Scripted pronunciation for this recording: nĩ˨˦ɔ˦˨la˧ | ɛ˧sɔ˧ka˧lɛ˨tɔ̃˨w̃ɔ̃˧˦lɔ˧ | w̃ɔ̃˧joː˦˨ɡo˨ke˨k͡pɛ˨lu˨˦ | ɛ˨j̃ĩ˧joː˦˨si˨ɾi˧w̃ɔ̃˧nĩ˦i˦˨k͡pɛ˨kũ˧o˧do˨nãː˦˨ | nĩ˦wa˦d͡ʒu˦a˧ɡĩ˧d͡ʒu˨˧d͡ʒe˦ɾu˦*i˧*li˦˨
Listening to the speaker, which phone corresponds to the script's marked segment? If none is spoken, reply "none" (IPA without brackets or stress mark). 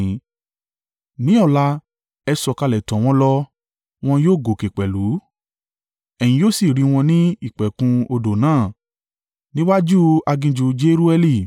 ɛ˧